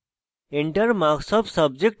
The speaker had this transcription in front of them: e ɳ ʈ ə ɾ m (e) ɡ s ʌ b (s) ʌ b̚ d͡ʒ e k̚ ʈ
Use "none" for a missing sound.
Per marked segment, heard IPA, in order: a, s

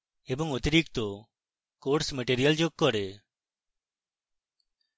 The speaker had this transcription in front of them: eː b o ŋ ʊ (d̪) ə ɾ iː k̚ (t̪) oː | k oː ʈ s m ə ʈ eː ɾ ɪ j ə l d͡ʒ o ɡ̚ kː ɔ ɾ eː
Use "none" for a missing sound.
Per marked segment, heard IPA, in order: t̪, t̪

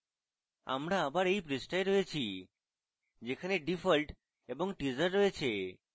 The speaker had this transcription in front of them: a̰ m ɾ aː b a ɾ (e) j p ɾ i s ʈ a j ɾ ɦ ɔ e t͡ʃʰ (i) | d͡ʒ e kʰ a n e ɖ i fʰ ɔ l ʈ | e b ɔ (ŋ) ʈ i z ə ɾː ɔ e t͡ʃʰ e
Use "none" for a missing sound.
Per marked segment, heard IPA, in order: e, i, ŋ

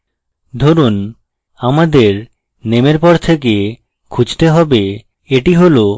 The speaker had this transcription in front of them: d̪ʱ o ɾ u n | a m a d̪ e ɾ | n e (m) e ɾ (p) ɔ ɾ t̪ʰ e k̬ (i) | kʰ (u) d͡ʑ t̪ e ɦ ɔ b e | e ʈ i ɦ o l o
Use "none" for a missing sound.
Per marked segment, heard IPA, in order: m, p, e, u

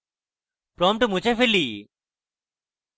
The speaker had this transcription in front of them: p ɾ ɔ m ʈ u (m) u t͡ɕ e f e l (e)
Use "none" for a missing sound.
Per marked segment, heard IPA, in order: m, i

